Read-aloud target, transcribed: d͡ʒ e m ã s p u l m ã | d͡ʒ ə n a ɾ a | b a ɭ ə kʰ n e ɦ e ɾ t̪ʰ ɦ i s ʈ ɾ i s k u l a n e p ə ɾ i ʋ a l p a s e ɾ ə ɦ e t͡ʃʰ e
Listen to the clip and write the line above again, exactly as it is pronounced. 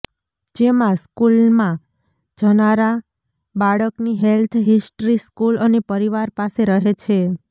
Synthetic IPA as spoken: d͡ʒ e m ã s k u l m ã | d͡ʒ ə n a ɾ a | b a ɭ ə k n i ɦ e l t̪ʰ ɦ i s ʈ ɾ i s k u l ə n e p ə ɾ i ʋ a ɾ p a s e ɾ ə ɦ e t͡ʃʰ e